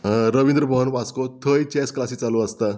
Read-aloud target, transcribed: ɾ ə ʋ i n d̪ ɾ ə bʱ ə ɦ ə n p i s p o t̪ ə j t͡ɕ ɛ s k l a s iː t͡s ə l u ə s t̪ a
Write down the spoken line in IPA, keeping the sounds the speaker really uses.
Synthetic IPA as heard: ɾ ə ʋ i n d̪ ɾ ə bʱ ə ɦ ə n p a s k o t̪ʰ ə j t͡ɕ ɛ s k l a s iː t͡s a l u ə s t̪ a

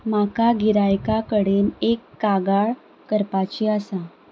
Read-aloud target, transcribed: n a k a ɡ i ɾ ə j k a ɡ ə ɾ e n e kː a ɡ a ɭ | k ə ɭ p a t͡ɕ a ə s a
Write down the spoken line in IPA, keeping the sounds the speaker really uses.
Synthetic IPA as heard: m a k a ɡ i ɾ a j k a k ə ɽ e n e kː a ɡ a ɭ | k ə ɾ p a t͡ɕ i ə s a

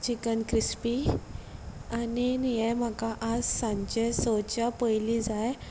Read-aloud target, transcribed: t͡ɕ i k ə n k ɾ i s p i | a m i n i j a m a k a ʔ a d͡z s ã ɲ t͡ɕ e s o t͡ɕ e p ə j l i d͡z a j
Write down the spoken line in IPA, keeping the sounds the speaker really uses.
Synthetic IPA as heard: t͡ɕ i k ə n k ɾ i s p i | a n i n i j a m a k a ʔ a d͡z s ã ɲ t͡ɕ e s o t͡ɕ a p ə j l i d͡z a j

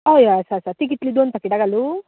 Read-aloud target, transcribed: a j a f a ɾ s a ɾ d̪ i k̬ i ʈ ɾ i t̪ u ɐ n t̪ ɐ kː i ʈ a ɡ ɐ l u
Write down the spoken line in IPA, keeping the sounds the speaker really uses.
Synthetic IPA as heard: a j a s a ɾ s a ɾ t̪ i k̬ i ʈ l i d̪ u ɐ n t̪ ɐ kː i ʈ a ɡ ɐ l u

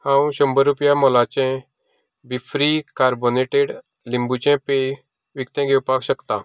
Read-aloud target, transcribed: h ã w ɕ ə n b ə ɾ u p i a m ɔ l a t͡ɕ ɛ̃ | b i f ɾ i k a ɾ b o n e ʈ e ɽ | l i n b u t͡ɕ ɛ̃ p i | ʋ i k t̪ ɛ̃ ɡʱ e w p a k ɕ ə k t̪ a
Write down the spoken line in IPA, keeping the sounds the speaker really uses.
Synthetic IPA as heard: h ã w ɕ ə m b ə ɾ u p j a m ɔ l a t͡ɕ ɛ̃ | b i f ɾ i k a ɾ b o n e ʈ e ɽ | l i m b u t͡ɕ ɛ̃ p e | ʋ i k t̪ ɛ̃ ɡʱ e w p a k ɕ ə k t̪ a

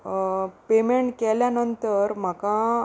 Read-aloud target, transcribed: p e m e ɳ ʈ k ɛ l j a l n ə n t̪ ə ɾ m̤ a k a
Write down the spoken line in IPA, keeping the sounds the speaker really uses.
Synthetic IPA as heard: p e m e ɳ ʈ k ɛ l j a n ə n t̪ ə ɾ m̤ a k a

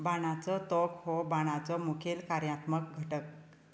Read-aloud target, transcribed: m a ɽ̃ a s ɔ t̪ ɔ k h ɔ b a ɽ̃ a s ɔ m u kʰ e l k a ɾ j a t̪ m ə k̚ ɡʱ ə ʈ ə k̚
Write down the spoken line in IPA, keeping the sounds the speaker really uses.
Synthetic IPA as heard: b a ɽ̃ a t͡s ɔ t̪ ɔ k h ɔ b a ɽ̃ a t͡s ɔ m u kʰ e l k a ɾ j a t̪ m ə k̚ ɡʱ ə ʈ ə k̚

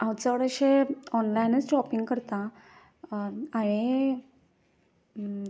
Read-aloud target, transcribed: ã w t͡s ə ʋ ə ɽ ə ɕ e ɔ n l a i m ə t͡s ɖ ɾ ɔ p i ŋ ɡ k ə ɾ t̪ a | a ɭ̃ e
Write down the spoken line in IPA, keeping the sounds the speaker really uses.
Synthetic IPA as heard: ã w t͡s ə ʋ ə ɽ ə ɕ e ɔ n l a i n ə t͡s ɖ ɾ ɔ p i ŋ ɡ k ə ɾ t̪ a | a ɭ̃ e

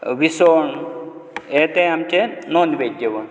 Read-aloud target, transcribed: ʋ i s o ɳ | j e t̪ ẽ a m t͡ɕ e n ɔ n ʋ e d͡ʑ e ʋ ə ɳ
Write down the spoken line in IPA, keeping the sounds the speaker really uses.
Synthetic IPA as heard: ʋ i s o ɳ | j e t̪ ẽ a m t͡ɕ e n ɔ n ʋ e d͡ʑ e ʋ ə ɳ

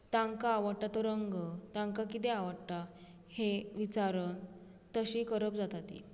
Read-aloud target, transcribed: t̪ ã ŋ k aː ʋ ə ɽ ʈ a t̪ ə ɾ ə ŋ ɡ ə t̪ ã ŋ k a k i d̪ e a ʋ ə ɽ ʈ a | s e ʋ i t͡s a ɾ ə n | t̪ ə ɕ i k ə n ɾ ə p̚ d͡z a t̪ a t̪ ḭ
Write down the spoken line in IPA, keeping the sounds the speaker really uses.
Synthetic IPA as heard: t̪ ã ŋ k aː ʋ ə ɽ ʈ a t̪ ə ɾ ə ŋ ɡ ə t̪ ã ŋ k a k i t̪ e a ʋ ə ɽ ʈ a | h e ʋ i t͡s a ɾ ə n | t̪ ə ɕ i k ə ɾ ə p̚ d͡z a t̪ a t̪ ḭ

